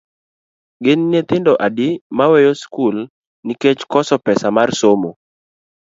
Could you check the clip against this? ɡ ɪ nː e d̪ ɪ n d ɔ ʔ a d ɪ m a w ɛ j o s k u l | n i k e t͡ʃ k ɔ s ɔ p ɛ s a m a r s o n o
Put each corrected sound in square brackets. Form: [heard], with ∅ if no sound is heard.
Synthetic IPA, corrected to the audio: ɡ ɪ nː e [t̪] ɪ n d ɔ ʔ a d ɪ m a w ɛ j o s k u l | n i k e t͡ʃ k ɔ s ɔ p ɛ s a m a r s o [m] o